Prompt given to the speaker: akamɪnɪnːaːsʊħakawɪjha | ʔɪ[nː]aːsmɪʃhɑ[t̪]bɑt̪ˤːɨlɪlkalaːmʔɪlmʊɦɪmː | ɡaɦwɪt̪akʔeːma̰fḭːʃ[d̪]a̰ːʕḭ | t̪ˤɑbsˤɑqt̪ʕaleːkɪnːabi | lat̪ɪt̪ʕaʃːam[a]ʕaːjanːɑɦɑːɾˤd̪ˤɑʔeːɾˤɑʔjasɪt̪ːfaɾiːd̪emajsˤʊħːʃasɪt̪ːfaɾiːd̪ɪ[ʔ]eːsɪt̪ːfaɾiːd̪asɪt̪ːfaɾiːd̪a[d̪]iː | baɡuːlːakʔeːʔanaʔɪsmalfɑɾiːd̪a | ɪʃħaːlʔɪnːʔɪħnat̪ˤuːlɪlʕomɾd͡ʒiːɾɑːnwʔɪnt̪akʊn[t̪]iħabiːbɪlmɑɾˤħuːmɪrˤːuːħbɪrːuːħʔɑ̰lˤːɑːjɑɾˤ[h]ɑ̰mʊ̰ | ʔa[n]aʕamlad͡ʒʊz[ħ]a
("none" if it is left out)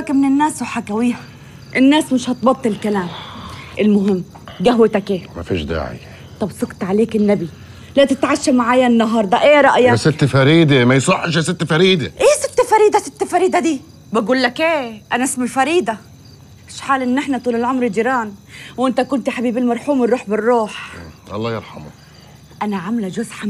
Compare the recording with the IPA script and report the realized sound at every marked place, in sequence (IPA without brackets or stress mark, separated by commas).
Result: nː, t̪, d̪, a, ʔ, d̪, t̪, ħ, n, ħ